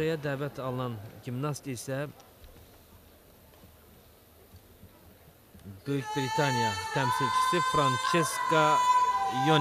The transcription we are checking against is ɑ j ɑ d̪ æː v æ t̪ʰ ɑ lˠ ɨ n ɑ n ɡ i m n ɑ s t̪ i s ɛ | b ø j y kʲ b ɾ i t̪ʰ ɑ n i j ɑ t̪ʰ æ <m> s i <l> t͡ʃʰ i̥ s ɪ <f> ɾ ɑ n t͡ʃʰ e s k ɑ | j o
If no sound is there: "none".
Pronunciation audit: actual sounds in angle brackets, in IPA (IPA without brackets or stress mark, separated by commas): m, l, f